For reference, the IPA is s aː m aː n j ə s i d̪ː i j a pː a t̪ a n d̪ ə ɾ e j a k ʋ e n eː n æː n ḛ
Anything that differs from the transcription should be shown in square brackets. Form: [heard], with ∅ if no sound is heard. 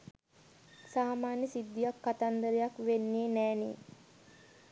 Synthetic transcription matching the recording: s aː m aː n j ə s i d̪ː i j a [kː] a t̪ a n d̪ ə ɾ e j a k ʋ e [nː] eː n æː n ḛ